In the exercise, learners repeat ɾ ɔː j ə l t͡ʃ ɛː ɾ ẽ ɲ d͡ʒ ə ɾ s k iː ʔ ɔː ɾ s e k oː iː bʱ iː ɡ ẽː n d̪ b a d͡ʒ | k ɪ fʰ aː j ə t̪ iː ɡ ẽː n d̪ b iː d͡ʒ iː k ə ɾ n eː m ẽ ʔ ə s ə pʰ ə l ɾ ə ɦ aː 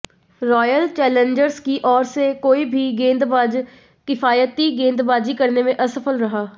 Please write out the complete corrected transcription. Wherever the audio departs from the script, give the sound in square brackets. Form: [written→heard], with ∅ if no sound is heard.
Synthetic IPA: ɾ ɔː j ə l t͡ʃ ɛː [ɾ→l] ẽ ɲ d͡ʒ ə ɾ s k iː ʔ ɔː ɾ s e k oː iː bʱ iː ɡ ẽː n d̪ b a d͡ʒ | k ɪ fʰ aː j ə t̪ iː ɡ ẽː n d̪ b [iː→aː] d͡ʒ iː k ə ɾ n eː m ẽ ʔ ə s ə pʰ ə l ɾ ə ɦ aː